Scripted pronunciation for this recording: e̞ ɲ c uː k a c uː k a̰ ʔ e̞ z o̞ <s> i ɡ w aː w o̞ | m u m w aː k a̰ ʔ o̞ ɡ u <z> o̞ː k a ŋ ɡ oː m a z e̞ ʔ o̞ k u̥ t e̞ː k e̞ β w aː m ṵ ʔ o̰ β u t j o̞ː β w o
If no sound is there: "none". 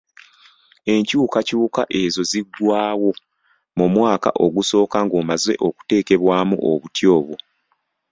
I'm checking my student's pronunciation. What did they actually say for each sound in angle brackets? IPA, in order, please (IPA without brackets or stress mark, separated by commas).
z, s